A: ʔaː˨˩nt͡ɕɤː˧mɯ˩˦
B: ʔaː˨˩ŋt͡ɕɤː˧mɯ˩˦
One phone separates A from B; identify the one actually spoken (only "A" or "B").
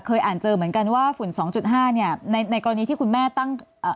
A